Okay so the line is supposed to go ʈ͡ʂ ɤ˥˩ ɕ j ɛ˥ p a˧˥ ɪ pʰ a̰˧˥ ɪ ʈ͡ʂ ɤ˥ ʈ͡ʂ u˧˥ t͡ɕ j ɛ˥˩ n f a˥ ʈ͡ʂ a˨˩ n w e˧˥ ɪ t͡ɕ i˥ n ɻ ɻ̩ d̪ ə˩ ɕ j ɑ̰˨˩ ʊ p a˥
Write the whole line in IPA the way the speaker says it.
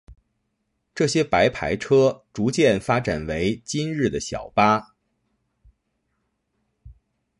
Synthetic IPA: ʈ͡ʂ ɤ˥˩ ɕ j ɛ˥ p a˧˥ ɪ pʰ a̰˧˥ ɪ ʈ͡ʂʰ ɤ˥ ʈ͡ʂ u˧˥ t͡ɕ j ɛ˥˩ n f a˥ ʈ͡ʂ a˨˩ n w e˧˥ ɪ t͡ɕ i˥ n ɻ ɻ̩ d̪ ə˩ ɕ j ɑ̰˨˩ ʊ p a˥